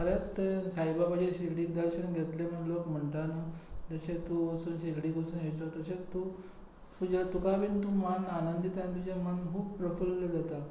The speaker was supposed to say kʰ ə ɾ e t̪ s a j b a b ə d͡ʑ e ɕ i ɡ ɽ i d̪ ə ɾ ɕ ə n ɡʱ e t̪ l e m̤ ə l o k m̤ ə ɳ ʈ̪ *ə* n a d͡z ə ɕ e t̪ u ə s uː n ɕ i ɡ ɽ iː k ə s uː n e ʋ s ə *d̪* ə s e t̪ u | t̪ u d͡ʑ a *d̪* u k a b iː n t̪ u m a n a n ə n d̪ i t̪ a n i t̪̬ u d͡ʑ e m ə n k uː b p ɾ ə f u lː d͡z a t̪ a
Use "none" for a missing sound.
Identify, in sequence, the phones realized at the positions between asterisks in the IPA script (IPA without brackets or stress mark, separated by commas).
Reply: a, t̪, t̪